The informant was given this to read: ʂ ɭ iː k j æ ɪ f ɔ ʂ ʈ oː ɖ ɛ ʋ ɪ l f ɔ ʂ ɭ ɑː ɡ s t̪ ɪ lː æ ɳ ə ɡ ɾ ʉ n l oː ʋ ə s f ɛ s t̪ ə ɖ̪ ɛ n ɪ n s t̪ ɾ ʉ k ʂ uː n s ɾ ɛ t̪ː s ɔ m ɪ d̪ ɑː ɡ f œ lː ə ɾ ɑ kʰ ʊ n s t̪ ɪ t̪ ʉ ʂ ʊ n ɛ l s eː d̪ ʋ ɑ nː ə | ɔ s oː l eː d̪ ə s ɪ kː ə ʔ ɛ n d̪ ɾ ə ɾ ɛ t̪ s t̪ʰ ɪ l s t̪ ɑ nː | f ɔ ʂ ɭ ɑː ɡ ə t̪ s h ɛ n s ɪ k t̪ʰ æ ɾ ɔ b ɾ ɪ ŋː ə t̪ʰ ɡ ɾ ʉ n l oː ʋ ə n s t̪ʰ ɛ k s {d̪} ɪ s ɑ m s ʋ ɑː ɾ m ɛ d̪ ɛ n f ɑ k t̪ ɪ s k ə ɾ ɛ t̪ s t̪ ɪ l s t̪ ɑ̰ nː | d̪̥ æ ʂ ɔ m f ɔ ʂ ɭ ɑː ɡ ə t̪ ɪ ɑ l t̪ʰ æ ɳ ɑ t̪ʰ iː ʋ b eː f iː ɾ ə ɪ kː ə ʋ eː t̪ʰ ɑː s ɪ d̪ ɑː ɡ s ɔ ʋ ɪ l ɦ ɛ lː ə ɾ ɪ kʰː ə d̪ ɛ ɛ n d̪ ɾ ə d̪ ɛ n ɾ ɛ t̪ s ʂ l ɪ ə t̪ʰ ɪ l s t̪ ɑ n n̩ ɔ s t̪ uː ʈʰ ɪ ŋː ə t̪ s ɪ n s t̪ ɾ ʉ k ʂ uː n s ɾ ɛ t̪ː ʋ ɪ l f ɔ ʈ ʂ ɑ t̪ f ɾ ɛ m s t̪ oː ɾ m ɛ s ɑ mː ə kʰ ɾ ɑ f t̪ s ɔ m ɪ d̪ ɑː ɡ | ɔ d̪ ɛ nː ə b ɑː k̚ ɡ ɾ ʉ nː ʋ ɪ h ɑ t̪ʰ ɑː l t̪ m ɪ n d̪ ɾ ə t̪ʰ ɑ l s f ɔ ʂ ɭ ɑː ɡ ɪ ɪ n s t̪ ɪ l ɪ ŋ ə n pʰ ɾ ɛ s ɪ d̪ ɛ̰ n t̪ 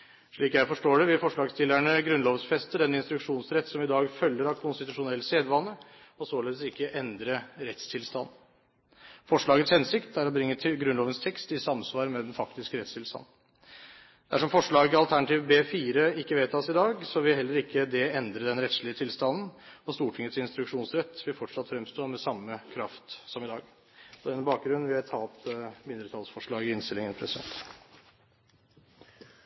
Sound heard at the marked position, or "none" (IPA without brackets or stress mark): t̪